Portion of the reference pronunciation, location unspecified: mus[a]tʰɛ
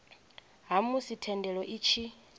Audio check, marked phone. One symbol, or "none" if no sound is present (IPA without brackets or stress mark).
i